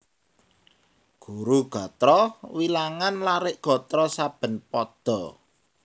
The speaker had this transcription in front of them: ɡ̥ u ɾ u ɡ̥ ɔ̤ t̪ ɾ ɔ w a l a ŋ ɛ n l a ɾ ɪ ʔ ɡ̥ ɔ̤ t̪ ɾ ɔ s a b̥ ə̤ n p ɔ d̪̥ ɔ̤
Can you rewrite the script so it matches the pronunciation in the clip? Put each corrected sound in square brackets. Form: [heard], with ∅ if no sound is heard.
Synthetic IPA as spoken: ɡ̥ u ɾ u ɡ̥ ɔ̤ t̪ ɾ ɔ w [i] l a ŋ [a] n l a ɾ ɪ ʔ ɡ̥ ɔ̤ t̪ ɾ ɔ s a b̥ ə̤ n p ɔ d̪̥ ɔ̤